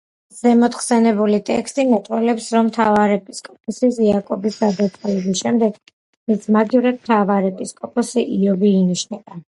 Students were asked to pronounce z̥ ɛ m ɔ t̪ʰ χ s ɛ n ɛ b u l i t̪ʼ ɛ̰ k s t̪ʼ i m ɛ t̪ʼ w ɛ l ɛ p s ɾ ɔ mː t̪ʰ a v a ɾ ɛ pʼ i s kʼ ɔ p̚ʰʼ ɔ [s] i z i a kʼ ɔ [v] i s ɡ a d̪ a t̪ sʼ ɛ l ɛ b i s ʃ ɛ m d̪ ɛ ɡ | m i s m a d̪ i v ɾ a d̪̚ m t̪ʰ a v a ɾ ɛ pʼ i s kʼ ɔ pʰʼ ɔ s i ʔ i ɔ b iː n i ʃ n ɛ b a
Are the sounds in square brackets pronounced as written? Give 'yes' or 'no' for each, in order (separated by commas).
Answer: yes, no